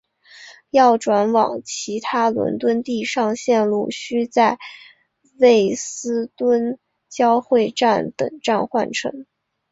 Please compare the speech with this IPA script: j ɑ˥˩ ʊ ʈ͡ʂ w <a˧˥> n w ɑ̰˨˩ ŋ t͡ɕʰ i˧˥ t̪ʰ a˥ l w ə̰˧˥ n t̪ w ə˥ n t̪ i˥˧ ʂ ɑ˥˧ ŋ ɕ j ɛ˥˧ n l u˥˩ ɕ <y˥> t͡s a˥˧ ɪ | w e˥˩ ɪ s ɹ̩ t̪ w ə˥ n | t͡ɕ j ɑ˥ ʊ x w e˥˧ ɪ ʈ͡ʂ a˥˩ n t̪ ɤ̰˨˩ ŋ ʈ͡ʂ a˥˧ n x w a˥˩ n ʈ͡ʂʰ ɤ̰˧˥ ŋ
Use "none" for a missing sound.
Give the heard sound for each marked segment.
a˧˥, y˥

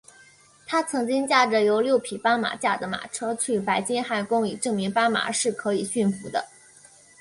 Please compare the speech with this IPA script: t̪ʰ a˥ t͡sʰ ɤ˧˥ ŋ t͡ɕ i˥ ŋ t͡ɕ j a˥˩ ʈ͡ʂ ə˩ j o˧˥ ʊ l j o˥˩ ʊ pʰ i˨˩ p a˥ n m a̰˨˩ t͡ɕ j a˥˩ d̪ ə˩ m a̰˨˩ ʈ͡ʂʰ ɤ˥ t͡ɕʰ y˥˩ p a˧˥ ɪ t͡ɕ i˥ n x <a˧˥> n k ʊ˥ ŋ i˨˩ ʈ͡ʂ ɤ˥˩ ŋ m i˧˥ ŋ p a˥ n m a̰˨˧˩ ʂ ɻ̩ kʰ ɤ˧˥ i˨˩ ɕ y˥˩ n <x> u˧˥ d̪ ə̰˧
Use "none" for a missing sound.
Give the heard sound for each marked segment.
a˥˩, f

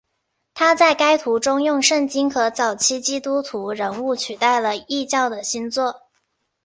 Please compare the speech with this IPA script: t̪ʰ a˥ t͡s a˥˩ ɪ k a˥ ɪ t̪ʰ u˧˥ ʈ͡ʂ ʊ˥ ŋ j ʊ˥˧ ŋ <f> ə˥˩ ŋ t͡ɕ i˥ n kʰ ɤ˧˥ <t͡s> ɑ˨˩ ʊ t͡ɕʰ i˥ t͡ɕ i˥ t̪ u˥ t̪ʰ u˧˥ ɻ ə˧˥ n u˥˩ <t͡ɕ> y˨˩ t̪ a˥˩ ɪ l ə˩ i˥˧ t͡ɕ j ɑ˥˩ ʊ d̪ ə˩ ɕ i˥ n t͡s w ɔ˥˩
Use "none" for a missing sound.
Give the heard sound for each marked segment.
ʂ, t͡s, t͡ɕʰ

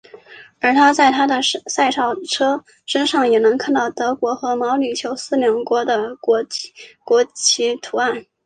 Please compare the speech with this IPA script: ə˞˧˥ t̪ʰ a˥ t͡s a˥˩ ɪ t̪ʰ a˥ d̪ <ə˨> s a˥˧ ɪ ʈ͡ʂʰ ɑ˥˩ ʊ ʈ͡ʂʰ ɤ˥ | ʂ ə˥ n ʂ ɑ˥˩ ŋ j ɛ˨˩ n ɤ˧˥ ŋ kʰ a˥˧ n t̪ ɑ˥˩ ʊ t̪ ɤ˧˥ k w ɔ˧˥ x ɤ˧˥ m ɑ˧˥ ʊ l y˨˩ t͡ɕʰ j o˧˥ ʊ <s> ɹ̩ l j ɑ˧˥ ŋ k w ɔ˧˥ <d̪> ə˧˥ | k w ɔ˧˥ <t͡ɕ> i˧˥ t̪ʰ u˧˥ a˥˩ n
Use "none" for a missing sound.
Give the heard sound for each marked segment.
ə˨, s, d̪, t͡ɕʰ

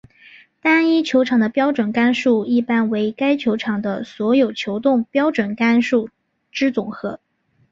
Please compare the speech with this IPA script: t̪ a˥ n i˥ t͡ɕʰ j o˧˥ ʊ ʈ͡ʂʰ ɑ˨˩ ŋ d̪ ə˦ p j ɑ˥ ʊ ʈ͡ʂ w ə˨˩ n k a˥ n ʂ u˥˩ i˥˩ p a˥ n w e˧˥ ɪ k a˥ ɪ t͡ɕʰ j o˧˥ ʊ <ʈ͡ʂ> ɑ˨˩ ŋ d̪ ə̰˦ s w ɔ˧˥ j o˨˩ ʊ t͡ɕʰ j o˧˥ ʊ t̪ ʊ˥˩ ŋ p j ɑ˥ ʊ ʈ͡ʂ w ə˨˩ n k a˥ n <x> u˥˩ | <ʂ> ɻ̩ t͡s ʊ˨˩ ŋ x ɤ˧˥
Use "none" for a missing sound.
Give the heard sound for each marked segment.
ʈ͡ʂʰ, ʂ, ʈ͡ʂ

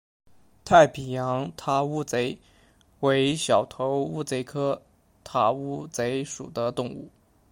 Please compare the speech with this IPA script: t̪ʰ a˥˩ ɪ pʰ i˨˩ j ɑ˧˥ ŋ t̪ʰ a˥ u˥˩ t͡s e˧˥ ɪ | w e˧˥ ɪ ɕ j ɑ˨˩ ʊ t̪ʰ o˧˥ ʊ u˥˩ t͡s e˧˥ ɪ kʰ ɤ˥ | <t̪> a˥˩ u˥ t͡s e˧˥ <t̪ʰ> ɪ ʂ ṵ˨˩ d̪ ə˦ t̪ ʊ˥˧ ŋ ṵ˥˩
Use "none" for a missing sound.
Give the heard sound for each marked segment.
t̪ʰ, none

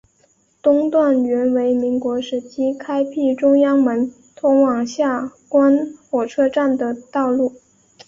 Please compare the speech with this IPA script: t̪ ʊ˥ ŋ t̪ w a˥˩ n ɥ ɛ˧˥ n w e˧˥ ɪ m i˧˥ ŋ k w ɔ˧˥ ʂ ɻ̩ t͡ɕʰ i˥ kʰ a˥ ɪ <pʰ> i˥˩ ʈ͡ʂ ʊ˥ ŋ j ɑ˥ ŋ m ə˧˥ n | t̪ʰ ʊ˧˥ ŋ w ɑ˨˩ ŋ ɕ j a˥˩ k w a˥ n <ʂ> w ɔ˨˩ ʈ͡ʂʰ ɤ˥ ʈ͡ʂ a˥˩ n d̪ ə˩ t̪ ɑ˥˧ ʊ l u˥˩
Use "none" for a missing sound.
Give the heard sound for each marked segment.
pʰ, x

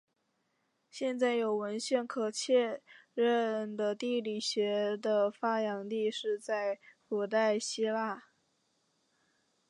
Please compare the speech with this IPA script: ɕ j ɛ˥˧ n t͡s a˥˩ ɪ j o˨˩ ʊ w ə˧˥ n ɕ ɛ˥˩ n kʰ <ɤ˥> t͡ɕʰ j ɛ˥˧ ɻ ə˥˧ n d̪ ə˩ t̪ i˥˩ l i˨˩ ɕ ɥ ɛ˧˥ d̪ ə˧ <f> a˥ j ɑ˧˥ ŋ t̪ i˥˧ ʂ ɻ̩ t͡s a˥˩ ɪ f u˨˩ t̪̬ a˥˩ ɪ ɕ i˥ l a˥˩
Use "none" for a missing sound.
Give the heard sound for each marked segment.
ɤ˨˩, f

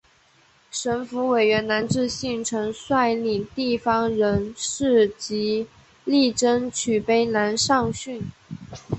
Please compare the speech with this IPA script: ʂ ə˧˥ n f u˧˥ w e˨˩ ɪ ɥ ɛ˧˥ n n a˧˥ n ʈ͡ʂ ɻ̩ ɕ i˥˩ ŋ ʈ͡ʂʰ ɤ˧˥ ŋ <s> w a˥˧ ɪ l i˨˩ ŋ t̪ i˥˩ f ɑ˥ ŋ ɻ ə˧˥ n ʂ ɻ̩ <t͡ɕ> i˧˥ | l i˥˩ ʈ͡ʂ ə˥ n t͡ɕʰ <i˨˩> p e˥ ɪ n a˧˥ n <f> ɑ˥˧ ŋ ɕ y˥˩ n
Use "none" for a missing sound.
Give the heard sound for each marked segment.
s, t͡ɕ, y˨˩, ʂ

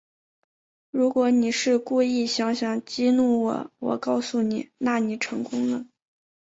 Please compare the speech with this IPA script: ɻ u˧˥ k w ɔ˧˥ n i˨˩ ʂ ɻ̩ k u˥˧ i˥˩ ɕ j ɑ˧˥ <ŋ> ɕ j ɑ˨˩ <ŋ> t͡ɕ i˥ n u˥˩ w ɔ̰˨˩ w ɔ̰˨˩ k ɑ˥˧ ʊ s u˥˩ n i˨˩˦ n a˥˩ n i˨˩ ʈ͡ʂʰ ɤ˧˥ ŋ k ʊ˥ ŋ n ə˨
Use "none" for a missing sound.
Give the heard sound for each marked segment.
ŋ, ŋ

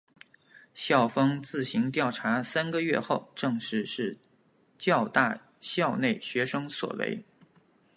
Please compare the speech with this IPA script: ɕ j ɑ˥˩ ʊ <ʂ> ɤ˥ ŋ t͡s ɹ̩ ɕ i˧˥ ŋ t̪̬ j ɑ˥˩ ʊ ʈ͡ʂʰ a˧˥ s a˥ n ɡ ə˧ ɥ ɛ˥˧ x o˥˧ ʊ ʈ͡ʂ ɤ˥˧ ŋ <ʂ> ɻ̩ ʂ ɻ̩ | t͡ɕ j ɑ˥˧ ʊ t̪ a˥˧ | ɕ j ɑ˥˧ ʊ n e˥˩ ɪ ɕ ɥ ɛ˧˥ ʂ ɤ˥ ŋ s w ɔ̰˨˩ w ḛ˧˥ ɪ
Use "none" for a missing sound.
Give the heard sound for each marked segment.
f, ʂ

